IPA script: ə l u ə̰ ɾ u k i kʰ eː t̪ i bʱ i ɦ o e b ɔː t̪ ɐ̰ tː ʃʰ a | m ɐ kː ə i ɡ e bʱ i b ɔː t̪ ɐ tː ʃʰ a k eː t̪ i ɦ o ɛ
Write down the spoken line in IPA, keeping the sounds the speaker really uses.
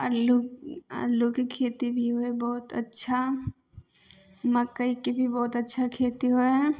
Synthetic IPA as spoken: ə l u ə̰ l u k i kʰ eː t̪ i bʱ i ɦ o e b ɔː t̪ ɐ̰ tː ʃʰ a | m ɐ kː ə i k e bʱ i b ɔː t̪ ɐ tː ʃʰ a kʰ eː t̪ i ɦ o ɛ